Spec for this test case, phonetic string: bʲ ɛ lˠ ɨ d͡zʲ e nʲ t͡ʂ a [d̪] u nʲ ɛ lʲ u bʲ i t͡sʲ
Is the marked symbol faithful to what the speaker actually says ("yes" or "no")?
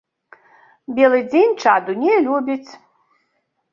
yes